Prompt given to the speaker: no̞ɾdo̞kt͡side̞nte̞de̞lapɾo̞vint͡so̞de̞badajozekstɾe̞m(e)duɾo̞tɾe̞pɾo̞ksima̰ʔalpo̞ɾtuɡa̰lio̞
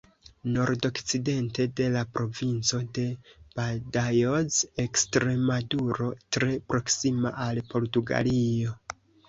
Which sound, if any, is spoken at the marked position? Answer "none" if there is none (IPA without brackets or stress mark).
a